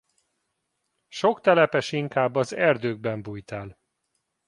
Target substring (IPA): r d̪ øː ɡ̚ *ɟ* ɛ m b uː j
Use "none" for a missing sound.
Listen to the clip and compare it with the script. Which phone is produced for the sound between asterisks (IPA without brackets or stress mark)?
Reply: b